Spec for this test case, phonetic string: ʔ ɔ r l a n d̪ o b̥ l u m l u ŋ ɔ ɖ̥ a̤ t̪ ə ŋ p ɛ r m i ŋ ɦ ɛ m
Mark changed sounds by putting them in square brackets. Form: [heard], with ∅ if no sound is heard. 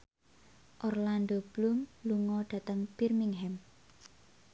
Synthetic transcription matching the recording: ʔ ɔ r l a n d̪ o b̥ l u m l u ŋ ɔ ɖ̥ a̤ t̪ ə ŋ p [i] r m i ŋ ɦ ɛ m